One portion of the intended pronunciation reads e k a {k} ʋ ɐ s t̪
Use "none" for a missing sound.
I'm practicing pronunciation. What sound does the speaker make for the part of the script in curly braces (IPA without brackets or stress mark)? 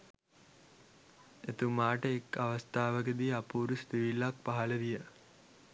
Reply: none